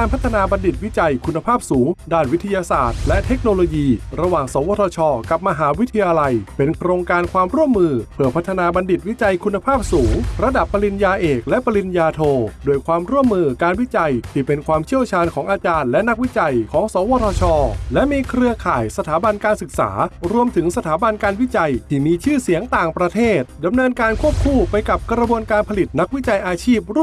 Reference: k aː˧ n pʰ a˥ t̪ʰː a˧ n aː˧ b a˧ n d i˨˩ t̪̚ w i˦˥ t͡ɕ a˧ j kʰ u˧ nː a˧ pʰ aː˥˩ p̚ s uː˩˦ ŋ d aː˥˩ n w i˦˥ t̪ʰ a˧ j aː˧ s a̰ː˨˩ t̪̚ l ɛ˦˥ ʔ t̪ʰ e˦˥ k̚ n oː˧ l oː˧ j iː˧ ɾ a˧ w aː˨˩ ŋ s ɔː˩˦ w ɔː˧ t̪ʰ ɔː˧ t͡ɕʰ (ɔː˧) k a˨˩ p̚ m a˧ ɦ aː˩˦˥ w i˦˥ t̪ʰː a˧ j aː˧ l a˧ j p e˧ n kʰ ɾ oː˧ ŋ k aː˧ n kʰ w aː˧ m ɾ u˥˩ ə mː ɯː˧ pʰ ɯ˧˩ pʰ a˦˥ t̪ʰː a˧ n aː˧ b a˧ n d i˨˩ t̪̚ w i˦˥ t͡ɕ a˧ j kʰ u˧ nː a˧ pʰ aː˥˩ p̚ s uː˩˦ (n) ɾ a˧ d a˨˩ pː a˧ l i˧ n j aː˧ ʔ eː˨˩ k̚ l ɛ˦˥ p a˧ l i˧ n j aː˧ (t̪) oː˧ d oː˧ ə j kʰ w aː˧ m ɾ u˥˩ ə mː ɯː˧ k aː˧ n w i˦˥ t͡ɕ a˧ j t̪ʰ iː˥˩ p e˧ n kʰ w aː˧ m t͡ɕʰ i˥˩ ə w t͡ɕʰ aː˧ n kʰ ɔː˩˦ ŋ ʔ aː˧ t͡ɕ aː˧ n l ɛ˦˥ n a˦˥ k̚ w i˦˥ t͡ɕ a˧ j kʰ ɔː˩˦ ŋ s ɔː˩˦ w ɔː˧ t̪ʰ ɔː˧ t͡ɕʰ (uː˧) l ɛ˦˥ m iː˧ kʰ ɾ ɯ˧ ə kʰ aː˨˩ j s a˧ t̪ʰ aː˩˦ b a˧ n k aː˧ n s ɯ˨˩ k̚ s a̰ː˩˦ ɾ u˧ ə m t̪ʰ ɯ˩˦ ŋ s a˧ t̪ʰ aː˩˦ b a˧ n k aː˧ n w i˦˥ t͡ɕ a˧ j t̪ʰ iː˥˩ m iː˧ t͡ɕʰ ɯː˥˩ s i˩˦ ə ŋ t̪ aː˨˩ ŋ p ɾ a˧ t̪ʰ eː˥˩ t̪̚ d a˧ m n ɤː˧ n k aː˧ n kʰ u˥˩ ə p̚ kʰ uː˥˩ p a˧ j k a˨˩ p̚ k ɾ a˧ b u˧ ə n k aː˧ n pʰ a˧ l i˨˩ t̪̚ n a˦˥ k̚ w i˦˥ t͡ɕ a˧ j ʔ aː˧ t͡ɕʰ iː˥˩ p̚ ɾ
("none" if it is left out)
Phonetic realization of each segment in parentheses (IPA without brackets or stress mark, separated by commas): ɔː˧, ŋ, t̪ʰ, ɔː˧